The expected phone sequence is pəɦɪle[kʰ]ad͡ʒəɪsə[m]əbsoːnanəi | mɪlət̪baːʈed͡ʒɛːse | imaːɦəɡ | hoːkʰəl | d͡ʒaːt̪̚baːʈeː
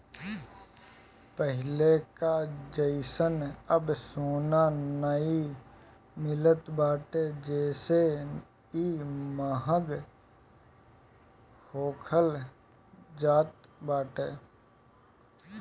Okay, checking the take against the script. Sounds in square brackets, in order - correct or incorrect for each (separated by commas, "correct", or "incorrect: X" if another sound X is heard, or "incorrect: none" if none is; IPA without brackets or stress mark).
incorrect: k, incorrect: n